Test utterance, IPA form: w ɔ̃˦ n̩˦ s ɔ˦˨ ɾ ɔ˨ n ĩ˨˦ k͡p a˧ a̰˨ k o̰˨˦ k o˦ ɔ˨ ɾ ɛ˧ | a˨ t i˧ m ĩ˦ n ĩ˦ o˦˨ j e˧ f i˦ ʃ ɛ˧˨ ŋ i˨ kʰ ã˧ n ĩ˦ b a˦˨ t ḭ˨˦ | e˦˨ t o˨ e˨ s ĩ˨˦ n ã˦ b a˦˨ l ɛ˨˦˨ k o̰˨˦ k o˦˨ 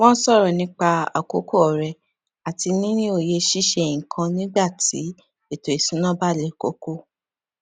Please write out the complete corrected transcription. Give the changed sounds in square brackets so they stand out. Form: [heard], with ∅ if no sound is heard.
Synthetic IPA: w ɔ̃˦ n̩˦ s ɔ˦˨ ɾ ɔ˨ n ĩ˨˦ k͡p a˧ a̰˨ k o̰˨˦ k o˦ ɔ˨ ɾ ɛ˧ | a˨ t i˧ [n] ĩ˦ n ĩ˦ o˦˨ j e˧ [ʃ] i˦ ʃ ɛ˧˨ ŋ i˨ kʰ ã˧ n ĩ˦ [ɡ͡b] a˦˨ t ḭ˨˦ | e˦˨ t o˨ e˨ s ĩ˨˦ n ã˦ b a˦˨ l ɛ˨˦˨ k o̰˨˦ k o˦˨